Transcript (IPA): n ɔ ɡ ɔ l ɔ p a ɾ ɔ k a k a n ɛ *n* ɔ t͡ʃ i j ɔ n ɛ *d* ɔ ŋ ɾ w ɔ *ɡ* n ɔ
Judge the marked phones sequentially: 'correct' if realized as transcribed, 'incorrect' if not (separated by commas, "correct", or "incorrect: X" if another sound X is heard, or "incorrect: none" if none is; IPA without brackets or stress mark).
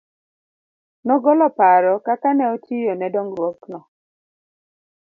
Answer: incorrect: none, correct, incorrect: k